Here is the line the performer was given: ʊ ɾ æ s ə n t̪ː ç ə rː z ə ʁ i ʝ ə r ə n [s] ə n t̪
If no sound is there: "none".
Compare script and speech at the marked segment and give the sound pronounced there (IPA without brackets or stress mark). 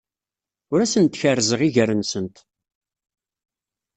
s